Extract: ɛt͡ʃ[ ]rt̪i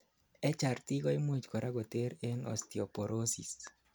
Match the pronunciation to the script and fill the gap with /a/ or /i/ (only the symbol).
a